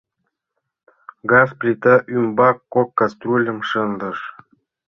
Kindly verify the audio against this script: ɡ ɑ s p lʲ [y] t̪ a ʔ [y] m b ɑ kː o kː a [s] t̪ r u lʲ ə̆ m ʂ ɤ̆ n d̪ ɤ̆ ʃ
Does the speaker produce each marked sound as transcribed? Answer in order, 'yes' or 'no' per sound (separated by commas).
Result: no, yes, yes